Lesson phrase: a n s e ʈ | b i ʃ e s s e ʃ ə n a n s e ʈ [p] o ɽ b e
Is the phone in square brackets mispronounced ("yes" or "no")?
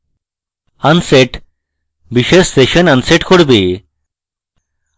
yes